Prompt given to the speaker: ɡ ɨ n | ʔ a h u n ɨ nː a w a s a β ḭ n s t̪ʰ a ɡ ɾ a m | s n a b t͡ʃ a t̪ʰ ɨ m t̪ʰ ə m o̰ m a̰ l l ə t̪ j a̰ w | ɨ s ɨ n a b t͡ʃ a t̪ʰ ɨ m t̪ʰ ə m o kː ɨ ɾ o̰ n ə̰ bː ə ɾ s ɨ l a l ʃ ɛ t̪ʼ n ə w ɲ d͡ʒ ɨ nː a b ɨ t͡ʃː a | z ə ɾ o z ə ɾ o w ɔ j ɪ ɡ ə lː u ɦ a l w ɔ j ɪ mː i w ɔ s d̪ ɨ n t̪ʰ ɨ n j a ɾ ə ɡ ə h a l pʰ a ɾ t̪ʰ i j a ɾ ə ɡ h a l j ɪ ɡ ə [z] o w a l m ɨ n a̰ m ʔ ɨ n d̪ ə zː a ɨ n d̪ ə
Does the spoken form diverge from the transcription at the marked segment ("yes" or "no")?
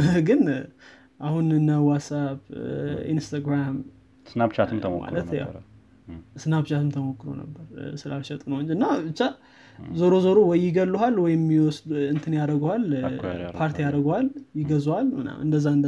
no